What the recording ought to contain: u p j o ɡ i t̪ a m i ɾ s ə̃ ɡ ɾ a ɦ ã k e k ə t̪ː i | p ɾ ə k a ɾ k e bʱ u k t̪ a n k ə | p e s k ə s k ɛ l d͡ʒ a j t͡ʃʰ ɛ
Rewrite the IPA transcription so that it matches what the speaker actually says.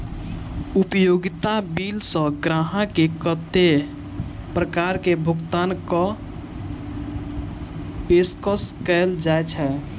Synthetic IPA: u p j o ɡ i t̪ a b i l s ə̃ ɡ ɾ a ɦ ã k e k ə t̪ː e | p ɾ ə k a ɾ k e bʱ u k t̪ a n k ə | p e s k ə s k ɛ l d͡ʒ a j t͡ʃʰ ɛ